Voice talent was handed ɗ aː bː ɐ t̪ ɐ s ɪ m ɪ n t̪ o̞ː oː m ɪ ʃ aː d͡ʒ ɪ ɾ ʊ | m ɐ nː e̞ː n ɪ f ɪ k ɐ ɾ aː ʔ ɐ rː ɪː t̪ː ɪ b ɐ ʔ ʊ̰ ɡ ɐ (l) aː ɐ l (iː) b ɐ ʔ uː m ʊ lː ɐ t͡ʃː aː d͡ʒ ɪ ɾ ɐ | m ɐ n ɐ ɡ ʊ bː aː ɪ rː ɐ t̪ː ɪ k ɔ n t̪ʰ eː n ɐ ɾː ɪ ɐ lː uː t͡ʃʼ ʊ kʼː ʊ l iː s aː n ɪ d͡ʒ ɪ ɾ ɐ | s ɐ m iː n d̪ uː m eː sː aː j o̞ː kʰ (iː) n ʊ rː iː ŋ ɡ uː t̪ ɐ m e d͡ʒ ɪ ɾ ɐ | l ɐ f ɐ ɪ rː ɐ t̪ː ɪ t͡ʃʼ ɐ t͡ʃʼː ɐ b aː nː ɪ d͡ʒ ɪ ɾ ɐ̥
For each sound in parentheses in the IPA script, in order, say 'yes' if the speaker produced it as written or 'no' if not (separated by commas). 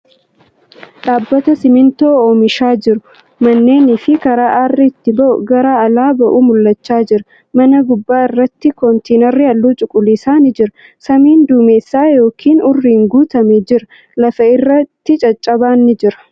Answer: no, no, yes